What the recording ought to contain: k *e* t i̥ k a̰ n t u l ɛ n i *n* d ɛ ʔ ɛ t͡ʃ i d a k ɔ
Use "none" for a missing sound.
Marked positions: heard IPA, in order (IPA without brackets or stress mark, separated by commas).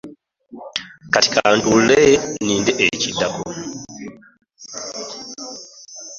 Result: a, n